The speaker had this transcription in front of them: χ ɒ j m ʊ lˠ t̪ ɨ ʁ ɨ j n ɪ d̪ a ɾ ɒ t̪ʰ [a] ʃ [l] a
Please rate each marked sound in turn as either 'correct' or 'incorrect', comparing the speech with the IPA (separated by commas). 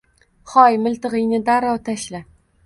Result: correct, correct